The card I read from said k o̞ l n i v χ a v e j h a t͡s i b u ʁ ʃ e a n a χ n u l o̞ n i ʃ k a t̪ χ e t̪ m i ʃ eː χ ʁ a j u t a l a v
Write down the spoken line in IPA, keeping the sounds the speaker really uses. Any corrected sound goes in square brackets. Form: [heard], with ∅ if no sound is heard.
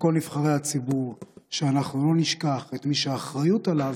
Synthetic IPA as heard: k o̞ l n i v χ a [ʁ] e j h a t͡s i b u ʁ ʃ e a n a χ n u l o̞ n i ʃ k a [∅] χ e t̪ m i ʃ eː χ ʁ a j u t a l a v